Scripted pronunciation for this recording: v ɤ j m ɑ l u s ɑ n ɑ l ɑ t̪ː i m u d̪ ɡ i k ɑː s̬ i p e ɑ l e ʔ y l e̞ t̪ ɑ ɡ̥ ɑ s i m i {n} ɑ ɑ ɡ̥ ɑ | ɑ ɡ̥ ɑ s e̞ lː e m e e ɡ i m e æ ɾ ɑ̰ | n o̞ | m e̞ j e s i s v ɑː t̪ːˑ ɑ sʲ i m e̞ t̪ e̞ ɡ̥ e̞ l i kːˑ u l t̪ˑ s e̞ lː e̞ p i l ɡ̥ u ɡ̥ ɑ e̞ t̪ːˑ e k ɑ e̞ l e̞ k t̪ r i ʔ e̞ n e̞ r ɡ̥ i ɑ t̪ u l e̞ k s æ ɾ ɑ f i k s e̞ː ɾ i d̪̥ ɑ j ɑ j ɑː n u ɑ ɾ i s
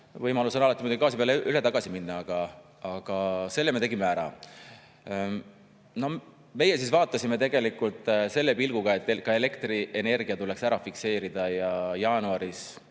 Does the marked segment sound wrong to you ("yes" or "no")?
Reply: yes